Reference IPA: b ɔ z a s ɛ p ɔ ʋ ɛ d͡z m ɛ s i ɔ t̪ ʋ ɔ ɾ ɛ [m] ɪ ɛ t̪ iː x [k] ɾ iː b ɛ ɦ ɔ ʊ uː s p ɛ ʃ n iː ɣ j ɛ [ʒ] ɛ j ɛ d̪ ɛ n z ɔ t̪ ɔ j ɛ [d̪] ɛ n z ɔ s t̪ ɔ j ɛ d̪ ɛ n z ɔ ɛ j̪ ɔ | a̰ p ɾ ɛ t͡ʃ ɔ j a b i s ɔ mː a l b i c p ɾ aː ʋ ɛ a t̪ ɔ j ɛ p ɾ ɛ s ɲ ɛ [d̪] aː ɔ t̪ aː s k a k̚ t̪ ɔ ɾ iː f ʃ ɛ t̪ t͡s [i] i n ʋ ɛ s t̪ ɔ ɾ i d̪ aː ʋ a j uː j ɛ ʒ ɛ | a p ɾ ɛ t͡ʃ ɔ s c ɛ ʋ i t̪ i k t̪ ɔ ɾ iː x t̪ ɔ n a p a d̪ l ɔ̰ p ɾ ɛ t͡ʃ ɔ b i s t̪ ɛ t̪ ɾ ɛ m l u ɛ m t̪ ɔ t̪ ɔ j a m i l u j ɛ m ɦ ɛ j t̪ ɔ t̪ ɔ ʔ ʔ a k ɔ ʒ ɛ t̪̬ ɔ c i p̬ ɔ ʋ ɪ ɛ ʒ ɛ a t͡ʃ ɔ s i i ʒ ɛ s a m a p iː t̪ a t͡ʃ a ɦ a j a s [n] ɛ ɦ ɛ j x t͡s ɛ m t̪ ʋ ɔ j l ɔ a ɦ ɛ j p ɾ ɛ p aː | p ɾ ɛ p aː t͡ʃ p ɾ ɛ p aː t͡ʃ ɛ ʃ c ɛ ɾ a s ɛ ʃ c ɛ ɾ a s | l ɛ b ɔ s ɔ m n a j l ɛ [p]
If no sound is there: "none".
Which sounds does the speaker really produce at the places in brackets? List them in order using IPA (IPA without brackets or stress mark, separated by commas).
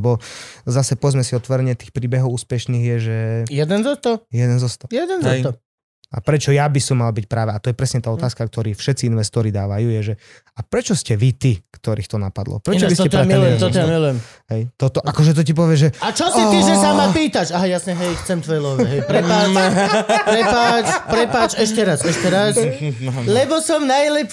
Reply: ɲ, p, ʒ, d̪, t̪, i, ɲ, p